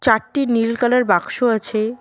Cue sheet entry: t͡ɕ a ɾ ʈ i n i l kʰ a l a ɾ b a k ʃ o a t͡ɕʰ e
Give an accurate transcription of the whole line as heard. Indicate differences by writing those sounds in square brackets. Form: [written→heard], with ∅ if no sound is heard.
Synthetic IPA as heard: t͡ɕ a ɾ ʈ i n i l [kʰ→k] a l a ɾ b a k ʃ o a t͡ɕʰ e